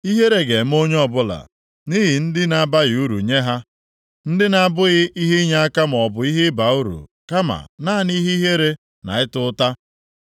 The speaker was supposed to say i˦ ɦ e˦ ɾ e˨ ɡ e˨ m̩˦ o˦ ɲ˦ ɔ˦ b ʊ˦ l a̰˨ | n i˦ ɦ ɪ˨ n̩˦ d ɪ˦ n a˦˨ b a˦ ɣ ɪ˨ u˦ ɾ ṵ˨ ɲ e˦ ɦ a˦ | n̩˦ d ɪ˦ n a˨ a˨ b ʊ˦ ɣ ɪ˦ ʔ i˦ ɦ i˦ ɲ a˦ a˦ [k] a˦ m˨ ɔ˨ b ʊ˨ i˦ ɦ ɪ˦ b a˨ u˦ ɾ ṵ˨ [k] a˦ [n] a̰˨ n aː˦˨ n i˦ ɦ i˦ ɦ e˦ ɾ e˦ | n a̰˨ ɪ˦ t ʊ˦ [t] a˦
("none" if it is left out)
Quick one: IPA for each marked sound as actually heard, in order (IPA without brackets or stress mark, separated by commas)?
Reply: k, k, m, t